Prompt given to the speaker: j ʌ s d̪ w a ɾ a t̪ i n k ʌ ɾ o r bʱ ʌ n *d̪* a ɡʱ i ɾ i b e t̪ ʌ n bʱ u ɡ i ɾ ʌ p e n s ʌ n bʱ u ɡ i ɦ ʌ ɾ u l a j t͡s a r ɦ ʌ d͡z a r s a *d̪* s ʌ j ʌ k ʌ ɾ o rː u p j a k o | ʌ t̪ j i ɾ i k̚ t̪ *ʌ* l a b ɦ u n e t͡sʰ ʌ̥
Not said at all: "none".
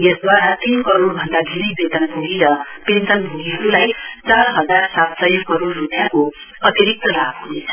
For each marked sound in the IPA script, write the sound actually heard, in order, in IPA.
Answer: d̪, t̪, ʌ

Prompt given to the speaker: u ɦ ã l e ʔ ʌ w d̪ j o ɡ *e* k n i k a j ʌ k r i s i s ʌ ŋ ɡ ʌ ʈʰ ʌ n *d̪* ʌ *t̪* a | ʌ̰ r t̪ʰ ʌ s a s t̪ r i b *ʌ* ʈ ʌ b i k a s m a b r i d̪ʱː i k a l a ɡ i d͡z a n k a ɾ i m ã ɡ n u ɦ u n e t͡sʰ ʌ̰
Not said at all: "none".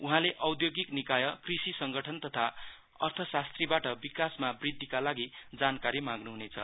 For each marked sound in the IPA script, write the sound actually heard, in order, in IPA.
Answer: i, t̪, t̪ʰ, a

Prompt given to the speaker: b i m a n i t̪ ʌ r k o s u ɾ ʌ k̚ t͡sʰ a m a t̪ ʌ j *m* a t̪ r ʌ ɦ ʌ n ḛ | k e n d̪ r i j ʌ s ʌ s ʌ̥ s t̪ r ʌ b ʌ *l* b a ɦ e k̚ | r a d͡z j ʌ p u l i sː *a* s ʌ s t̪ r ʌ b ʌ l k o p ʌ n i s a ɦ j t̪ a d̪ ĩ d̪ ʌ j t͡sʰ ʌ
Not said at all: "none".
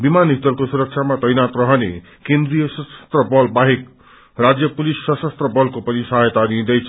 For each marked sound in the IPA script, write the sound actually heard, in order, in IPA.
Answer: n, l, ʌ

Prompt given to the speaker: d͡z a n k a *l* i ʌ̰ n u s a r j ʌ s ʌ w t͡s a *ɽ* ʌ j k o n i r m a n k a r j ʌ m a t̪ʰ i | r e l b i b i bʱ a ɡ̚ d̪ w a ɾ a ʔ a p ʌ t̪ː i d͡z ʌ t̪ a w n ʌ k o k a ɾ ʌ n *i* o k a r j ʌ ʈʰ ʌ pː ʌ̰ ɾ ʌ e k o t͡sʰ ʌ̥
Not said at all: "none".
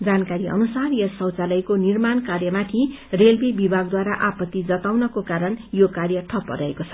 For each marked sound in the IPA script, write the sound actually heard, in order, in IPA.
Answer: ɾ, l, j

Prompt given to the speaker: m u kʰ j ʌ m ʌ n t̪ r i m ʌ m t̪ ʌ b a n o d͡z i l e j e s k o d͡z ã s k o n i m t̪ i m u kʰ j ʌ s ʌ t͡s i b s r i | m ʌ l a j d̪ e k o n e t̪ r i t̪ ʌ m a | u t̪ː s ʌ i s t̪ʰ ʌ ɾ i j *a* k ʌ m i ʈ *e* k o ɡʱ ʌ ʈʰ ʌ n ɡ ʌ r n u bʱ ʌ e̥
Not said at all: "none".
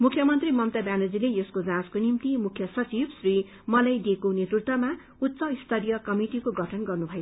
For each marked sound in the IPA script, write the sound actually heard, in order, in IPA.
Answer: ʌ, i

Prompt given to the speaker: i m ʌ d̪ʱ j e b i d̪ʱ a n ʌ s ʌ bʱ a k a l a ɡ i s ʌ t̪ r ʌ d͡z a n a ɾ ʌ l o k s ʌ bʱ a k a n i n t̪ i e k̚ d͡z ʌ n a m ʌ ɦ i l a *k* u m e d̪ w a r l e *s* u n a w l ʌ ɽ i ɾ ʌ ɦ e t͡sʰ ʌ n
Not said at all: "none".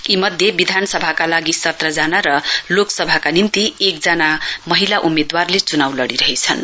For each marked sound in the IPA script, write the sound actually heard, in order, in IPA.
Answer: ʔ, t͡s

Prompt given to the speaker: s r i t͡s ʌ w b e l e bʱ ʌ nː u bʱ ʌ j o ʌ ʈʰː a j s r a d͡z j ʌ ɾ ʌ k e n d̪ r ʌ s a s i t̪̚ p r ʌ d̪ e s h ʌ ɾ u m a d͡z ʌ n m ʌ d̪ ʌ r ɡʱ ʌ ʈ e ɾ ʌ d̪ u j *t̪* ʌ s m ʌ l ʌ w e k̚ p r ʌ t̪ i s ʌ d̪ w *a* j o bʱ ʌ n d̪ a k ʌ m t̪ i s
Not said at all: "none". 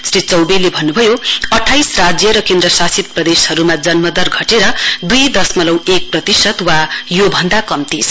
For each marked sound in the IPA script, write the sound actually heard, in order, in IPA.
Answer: d̪, a

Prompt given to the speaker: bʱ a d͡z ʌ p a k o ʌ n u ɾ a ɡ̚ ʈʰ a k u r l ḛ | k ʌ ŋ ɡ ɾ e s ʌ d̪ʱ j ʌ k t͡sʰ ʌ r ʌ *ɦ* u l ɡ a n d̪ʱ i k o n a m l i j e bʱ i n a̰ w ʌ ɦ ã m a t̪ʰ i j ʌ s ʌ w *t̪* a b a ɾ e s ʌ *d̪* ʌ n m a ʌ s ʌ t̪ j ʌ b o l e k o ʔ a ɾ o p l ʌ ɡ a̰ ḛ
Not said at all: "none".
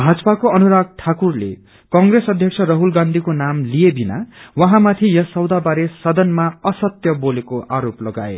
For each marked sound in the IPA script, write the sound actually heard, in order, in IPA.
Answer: ɦ, d̪, d̪

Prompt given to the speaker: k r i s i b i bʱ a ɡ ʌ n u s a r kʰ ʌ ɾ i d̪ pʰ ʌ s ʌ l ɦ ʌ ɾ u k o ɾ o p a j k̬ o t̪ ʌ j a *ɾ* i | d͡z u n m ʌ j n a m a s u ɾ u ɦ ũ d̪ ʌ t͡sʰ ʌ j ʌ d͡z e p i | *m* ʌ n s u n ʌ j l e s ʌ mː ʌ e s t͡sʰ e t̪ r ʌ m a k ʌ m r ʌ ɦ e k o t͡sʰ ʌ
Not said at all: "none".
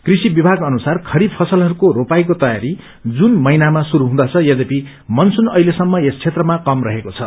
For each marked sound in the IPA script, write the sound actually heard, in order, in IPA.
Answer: ɾ, m

